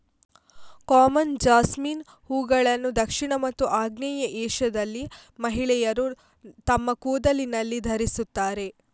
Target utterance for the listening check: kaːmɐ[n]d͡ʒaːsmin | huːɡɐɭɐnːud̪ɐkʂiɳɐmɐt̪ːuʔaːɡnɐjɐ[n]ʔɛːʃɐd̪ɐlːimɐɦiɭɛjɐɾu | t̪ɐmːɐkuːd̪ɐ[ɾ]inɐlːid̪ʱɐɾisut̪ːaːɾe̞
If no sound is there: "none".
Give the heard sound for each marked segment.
n, none, l

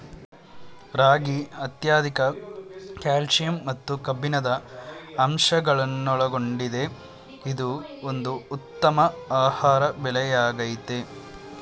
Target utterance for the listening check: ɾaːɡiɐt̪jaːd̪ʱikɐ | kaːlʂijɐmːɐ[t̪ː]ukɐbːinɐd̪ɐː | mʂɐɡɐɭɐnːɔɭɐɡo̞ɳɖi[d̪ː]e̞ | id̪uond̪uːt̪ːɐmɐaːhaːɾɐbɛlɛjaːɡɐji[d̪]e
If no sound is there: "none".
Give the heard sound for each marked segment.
t̪ː, d̪, t̪

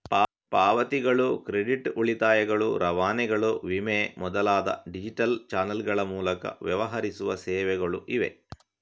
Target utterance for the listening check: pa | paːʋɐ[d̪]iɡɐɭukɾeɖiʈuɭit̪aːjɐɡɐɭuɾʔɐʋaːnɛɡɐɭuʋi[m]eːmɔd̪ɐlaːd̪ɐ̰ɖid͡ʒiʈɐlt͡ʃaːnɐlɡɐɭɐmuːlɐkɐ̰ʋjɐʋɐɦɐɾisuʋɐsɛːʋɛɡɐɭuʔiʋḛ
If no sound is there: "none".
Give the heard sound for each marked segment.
t̪, m

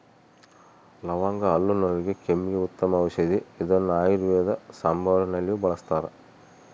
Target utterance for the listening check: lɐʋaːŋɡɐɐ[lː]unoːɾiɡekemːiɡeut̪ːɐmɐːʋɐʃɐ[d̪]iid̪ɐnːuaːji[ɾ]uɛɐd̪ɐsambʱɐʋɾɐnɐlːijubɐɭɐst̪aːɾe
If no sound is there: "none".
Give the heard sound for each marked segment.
lː, d̪, ɾ

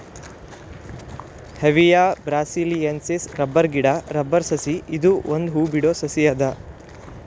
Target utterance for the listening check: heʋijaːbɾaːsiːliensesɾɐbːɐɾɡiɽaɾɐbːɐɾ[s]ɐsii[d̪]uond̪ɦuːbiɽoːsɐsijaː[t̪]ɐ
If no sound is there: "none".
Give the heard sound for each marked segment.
s, d̪, d̪

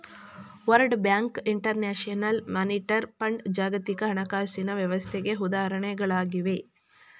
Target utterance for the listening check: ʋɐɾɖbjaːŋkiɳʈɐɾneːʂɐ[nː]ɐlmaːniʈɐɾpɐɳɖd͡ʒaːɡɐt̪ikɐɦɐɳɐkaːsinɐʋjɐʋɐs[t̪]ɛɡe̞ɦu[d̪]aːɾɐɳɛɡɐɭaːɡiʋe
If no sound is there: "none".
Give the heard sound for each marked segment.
n, t̪ʰ, d̪

